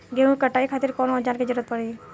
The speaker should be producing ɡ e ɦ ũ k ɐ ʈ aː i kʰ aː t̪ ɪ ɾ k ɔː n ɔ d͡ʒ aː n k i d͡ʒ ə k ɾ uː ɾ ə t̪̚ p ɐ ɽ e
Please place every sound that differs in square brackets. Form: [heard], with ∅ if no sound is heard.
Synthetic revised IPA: ɡ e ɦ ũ k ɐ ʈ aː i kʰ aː t̪ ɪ ɾ k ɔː n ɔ d͡ʒ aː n k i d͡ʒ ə [∅] ɾ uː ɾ ə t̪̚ p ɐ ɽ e